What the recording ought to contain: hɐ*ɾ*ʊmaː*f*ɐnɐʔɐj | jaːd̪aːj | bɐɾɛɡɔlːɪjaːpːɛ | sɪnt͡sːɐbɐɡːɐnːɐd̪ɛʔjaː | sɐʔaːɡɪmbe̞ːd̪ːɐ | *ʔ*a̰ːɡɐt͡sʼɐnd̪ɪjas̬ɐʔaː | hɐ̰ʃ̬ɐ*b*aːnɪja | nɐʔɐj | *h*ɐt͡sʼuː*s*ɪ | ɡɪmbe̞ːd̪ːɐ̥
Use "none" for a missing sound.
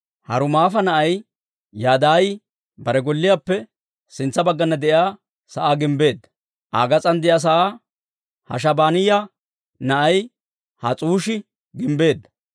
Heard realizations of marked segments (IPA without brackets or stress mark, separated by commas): ɾ, f, ʔ, b, h, ʃ